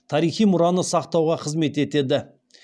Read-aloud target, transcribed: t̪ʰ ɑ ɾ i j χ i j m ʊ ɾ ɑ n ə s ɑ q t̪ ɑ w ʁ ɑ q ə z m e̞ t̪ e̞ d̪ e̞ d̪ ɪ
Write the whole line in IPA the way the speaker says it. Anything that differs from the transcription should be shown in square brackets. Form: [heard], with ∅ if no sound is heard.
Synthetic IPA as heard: t̪ʰ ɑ ɾ i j χ i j m ʊ ɾ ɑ n ə s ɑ q t̪ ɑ w ʁ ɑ [qʰ] ə z m e̞ t̪ e̞ [t̪] e̞ d̪ ɪ